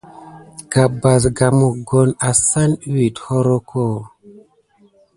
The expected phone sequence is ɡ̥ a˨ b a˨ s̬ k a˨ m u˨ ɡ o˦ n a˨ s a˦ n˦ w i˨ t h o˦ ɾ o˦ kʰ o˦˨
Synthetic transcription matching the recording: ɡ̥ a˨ b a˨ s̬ ɡ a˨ m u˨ ɡ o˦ n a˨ s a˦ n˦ w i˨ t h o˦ ɾ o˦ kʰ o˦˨

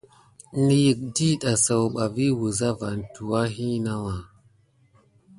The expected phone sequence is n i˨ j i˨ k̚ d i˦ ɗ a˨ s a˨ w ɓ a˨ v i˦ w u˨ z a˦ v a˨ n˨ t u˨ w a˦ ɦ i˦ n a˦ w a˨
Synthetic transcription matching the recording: n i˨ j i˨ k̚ d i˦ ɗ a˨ s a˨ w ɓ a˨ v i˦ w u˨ z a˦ v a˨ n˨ t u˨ w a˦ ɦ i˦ n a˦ w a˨

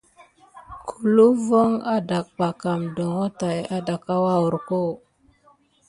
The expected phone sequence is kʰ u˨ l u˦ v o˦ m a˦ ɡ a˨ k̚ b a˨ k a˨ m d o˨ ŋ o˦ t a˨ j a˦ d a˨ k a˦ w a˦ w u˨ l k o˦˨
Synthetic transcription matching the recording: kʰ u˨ l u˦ v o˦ ŋ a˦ d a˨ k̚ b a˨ k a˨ m d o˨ ŋ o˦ t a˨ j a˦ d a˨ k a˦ w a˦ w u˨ ɾ k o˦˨

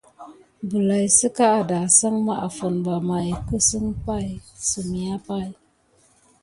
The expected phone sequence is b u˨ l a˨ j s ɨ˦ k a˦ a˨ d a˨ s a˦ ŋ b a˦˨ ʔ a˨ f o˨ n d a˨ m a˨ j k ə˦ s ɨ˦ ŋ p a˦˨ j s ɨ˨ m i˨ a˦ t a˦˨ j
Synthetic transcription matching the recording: b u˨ l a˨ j s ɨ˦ k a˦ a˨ d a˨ s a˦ ŋ m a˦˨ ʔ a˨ f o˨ n b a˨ m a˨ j k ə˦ s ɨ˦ ŋ p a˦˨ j s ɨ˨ m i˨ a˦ p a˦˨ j

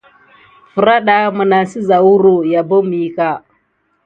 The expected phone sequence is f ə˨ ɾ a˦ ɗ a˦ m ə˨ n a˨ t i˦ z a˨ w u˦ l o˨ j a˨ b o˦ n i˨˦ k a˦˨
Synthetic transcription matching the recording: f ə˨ ɾ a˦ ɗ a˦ m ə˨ n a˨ s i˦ z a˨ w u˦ ɾ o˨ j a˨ b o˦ m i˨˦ k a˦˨

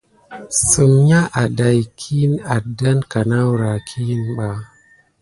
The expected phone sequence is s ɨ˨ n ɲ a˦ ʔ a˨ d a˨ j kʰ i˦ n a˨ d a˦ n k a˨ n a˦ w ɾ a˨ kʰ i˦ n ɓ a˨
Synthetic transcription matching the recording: s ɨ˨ m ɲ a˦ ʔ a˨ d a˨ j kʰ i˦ n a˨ d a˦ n k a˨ n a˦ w ɾ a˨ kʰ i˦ n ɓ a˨

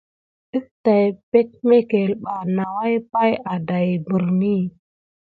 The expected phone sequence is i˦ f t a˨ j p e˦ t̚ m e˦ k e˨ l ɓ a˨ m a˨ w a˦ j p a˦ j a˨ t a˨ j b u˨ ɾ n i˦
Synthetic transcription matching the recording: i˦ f t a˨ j p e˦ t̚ m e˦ k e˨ l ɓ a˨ n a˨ w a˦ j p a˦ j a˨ d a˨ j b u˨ ɾ n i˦

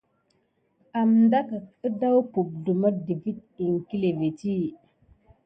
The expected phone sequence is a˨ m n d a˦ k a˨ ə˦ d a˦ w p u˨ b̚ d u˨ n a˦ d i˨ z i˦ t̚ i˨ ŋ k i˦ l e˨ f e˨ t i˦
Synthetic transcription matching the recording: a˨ m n d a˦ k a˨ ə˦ d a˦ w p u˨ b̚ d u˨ m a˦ d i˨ v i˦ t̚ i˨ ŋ k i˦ l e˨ v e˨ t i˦

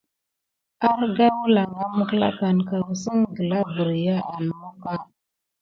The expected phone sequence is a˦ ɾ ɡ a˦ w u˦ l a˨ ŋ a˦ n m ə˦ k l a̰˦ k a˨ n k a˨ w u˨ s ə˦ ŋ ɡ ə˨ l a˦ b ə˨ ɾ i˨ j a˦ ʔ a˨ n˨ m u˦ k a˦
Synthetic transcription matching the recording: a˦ ɾ ɡ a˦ w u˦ l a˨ ŋ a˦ m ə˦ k l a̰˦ k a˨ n k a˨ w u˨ s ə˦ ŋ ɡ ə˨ l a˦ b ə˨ ɾ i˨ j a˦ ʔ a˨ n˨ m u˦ k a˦

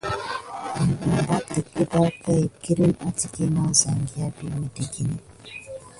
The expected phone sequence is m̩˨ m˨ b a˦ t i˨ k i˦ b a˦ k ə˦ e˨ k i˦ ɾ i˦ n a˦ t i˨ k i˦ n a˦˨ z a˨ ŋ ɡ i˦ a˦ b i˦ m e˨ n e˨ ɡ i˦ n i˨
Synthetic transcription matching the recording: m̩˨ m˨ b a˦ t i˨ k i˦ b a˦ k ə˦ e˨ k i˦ ɾ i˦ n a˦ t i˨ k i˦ n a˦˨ z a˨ ŋ ɡ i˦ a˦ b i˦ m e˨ d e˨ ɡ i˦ n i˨

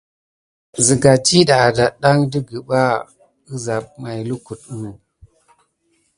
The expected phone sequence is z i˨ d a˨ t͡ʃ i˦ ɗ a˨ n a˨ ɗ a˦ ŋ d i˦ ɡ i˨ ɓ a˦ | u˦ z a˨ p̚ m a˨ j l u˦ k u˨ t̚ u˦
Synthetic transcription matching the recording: z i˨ ɡ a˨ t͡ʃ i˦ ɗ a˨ d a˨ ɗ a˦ ŋ d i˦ ɡ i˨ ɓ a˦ | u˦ z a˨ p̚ m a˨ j l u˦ k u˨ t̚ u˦

